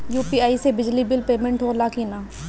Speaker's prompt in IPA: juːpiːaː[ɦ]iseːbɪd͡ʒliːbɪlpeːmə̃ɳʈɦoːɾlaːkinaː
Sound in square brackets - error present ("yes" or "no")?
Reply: yes